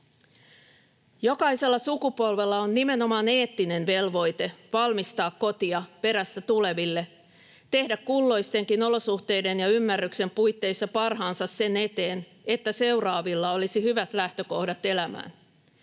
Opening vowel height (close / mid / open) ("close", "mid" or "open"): mid